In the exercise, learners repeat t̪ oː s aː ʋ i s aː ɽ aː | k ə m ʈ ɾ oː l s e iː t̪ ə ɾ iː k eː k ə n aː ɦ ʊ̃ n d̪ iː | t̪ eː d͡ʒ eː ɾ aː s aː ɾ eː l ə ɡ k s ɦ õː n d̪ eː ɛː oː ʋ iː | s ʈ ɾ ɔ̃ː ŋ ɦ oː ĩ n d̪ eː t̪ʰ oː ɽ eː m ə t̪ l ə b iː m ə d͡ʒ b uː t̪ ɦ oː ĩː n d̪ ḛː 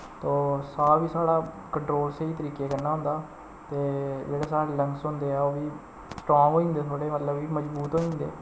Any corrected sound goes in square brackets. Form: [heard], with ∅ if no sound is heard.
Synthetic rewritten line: t̪ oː s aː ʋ [iː] s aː ɽ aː | k ə [ɳ] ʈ ɾ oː l s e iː t̪ ə ɾ iː k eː k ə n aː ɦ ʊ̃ n d̪ [aː] | t̪ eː d͡ʒ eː [ɽ] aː s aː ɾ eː l ə [ŋ] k s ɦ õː n d̪ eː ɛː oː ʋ iː | s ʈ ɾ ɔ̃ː ŋ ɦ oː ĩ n d̪ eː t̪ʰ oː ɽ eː m ə t̪ l ə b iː m ə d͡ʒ b uː t̪ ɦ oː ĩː n d̪ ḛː